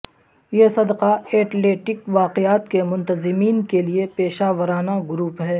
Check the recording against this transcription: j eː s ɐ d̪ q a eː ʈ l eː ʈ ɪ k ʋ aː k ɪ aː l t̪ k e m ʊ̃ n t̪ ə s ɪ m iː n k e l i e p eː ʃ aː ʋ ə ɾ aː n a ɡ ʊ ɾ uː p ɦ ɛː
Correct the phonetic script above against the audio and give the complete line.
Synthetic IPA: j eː s ɐ d̪ q a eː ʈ l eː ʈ ɪ k ʋ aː q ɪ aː t̪ k e m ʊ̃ n t̪ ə z ɪ m iː n k e l i e p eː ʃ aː ʋ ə ɾ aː n a ɡ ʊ ɾ uː p ɦ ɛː

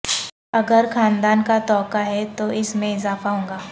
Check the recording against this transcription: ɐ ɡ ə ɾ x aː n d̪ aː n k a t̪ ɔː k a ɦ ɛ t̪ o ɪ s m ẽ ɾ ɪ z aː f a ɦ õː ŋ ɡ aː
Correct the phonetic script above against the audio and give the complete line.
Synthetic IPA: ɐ ɡ ə ɾ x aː n d̪ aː n k a t̪ ɔː k a ɦ ɛ t̪ o ɪ s m ẽ ɪ z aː f a ɦ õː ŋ ɡ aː

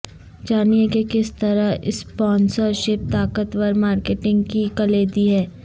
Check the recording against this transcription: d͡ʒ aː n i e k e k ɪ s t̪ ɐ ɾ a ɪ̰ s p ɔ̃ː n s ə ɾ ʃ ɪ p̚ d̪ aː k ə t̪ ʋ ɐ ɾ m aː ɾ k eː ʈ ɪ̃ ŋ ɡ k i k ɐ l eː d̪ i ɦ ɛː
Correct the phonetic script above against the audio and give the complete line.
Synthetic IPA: d͡ʒ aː n i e k e k ɪ s t̪ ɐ ɾ a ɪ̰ s p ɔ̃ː n s ə ɾ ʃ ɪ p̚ t̪ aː k ə t̪ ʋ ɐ ɾ m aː ɾ k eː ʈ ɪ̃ ŋ ɡ k i k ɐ l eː d̪ i ɦ ɛː

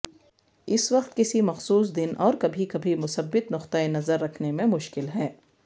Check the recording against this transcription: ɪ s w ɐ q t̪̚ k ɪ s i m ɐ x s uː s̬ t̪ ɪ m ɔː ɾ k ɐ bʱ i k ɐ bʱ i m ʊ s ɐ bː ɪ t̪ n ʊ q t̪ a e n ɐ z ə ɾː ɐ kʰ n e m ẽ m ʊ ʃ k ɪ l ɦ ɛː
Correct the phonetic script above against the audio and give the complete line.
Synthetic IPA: ɪ s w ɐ q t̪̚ k ɪ s i m ɐ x s uː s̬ d̪ ɪ n ɔː ɾ k ɐ bʱ i k ɐ bʱ i m ʊ s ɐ bː ɪ t̪ n ʊ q t̪ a e n ɐ z ə ɾː ɐ kʰ n e m ẽ m ʊ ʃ k ɪ l ɦ ɛː

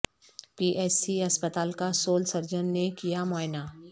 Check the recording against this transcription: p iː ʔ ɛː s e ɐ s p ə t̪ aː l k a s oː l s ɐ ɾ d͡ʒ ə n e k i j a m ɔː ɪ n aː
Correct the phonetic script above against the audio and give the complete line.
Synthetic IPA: p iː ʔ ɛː s i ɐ s p ə t̪ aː l k a s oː l s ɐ ɾ d͡ʒ ə nː e k i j a m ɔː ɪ n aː

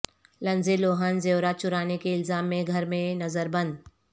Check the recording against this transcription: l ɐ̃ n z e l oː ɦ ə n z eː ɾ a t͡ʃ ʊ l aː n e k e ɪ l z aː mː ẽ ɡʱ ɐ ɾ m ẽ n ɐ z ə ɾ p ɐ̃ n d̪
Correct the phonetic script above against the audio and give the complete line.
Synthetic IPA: l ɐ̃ n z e l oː ɦ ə n z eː ɾ a t͡ʃ ʊ ɾ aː n e k e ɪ l z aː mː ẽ ɡʱ ɐ ɾ m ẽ n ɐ z ə ɾ b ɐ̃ n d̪

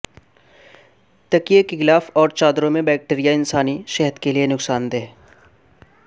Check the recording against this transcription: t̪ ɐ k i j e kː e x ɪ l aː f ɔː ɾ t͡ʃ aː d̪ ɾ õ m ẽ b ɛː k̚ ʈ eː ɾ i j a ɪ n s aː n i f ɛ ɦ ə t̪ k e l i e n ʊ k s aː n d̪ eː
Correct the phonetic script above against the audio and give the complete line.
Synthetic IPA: t̪ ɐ k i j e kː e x ɪ l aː f ɔː ɾ t͡ʃ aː d̪ ɾ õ m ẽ b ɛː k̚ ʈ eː ɾ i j a ɪ n s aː n i ʃ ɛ ɦ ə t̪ k e l i e n ʊ k s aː n d̪ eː

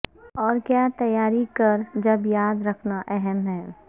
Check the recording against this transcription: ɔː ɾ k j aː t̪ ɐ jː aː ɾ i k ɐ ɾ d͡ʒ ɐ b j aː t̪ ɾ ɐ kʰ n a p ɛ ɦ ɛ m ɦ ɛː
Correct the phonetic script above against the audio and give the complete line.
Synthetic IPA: ɔː ɾ k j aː t̪ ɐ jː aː ɾ i k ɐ ɾ d͡ʒ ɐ b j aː d̪ ɾ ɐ kʰ n a ʔ ɛ ɦ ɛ m ɦ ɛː

